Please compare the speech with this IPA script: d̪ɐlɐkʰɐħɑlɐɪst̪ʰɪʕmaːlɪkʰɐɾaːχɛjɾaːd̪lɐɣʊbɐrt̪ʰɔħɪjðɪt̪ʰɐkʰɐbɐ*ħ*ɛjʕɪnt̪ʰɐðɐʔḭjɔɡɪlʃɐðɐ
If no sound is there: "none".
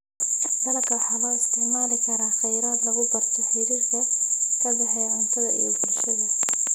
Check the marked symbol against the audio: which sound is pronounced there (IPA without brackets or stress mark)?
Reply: ħ